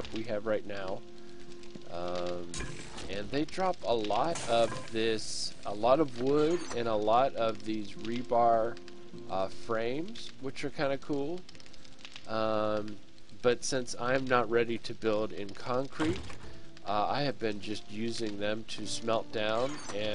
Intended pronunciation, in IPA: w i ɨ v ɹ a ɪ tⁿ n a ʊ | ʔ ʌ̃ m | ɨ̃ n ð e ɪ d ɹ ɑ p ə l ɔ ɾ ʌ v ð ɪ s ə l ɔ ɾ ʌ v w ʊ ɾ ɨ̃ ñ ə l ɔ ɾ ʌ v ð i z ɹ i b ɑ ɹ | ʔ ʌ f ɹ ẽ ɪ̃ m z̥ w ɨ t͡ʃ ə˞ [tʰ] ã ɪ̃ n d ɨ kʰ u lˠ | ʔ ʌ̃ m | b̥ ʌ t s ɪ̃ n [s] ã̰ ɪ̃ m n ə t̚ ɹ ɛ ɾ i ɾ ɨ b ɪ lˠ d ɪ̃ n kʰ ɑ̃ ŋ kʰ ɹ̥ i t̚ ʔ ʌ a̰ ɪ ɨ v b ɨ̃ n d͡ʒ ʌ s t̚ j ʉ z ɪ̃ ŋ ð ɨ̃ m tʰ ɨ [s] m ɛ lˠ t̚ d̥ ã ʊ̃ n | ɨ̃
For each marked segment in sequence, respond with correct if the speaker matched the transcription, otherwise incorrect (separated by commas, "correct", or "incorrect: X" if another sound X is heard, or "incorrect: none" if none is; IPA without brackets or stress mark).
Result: incorrect: kʰ, correct, correct